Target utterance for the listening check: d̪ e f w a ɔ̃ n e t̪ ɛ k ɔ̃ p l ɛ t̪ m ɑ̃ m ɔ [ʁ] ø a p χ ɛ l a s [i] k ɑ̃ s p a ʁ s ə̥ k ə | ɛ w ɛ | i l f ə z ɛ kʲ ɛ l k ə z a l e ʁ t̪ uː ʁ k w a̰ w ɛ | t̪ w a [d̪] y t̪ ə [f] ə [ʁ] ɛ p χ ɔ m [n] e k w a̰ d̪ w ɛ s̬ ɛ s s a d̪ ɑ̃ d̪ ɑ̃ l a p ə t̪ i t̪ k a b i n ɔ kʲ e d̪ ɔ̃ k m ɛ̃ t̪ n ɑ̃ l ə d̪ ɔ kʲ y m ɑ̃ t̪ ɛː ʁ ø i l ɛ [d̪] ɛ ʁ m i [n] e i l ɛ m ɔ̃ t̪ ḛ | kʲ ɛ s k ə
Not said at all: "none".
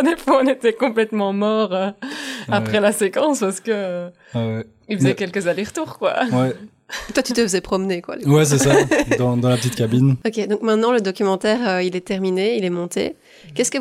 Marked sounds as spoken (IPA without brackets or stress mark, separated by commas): ʁ, e, t̪, f, z, n, t̪, n